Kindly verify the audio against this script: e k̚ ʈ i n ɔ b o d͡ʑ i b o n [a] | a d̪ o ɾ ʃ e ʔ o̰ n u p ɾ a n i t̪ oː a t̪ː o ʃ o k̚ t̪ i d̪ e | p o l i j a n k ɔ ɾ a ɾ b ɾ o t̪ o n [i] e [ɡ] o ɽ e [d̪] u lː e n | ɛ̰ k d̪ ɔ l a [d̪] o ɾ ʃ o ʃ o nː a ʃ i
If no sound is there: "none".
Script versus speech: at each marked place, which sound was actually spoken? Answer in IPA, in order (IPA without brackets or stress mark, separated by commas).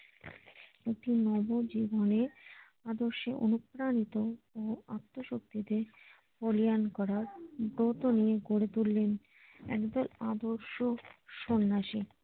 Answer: e, i, ɡ, t̪, d̪